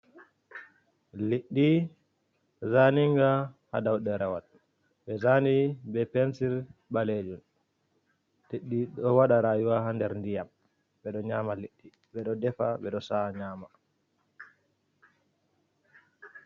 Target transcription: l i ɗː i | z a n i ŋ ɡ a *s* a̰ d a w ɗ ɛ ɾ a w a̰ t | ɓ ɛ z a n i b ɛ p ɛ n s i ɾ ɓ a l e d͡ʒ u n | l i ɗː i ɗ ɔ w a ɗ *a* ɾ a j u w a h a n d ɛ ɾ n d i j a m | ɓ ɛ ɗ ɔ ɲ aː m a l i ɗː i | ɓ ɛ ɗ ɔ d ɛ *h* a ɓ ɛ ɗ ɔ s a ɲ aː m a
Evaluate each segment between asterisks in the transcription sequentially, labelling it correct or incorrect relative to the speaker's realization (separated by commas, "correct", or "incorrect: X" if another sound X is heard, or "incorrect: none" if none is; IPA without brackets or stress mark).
incorrect: h, correct, incorrect: f